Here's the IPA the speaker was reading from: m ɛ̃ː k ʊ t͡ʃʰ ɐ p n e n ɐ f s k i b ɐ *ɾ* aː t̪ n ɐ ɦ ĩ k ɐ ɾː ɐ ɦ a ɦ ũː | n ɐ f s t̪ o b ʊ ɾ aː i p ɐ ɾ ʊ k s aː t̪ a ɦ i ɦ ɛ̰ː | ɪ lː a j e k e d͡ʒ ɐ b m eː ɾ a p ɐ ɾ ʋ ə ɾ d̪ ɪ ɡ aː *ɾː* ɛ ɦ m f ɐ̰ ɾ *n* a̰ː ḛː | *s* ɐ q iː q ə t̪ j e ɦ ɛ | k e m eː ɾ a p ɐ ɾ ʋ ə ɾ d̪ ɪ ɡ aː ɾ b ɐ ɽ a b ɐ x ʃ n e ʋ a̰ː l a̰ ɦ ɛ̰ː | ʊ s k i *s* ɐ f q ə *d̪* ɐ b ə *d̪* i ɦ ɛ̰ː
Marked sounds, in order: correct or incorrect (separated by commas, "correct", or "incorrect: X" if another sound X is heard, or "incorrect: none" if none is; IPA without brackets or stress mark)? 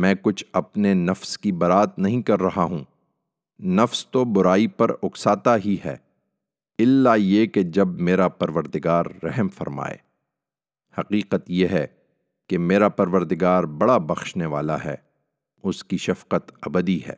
correct, correct, incorrect: m, incorrect: h, incorrect: ʃ, incorrect: t̪, correct